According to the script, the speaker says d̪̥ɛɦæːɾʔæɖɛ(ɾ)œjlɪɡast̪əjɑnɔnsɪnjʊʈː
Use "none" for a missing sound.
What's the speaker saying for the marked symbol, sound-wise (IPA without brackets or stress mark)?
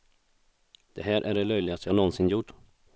l